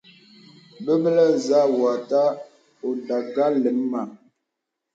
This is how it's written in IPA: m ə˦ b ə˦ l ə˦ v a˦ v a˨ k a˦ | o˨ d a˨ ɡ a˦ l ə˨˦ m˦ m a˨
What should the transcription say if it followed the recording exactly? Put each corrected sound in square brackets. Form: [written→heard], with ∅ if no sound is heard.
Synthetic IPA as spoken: [m→b] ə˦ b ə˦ l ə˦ [v→z] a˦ [v→w] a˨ [k→t] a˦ | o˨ d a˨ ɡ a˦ l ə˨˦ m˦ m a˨